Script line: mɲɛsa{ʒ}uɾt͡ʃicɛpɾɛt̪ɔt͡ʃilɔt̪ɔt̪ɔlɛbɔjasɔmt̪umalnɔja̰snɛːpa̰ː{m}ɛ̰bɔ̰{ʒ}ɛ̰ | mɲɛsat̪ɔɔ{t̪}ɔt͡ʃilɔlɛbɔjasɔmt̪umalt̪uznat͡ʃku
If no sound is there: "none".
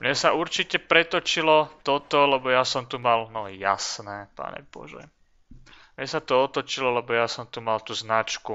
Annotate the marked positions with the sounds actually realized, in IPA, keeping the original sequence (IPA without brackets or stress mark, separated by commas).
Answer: none, ɲ, ʒ, t̪